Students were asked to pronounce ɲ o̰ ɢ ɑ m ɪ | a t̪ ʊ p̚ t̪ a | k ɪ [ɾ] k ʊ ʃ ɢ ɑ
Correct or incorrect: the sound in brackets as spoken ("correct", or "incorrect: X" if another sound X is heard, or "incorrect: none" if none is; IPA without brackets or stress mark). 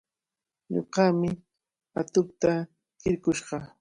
correct